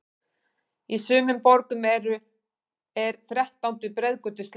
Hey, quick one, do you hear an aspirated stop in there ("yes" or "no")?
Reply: no